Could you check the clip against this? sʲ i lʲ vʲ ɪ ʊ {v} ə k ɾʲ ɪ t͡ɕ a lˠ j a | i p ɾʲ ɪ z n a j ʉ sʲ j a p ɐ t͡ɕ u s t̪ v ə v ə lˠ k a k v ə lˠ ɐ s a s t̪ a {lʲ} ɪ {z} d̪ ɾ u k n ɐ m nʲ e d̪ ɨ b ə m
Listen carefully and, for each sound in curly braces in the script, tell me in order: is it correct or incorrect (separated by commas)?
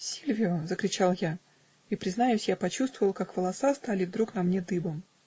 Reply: incorrect, correct, incorrect